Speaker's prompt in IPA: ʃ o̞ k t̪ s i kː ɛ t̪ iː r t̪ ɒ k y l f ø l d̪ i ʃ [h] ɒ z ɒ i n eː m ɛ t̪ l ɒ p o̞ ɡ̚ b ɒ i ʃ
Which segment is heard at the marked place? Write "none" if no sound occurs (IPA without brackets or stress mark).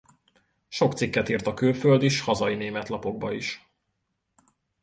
h